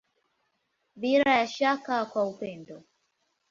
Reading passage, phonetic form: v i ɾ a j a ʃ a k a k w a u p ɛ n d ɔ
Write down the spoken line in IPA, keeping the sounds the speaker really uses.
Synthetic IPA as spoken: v i ɾ a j a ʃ a k a k w a u p ɛ n d ɔ